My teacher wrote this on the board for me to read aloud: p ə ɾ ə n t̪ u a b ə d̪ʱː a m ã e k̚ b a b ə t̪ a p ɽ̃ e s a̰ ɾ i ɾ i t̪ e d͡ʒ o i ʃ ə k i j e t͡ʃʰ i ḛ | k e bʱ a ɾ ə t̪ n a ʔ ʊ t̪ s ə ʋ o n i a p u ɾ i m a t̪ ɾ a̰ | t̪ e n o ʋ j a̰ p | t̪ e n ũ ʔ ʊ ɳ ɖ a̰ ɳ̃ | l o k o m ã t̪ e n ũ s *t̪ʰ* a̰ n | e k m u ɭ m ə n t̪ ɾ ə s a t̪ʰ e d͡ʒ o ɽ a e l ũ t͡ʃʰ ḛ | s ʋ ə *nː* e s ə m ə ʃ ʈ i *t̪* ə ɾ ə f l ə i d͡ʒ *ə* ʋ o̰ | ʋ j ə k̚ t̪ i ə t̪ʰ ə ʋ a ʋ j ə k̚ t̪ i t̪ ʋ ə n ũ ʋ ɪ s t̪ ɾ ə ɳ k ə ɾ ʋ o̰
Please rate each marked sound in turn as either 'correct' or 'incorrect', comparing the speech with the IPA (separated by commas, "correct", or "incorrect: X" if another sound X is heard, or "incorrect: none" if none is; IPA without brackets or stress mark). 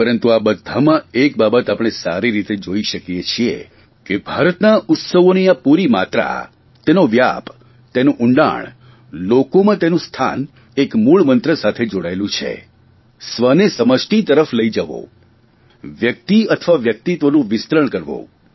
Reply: correct, incorrect: n, correct, correct